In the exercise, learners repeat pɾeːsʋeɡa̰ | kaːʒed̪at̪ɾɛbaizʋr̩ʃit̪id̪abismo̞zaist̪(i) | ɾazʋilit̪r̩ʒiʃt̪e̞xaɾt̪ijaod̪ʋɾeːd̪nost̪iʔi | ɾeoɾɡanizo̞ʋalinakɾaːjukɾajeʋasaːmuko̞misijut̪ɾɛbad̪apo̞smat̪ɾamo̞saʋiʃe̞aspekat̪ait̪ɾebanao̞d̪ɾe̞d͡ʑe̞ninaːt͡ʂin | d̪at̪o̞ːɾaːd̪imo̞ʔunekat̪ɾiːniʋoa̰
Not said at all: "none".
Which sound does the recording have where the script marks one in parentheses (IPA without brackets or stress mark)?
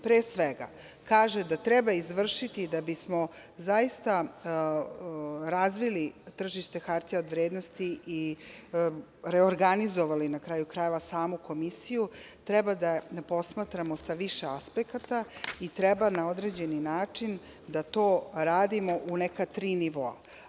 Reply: a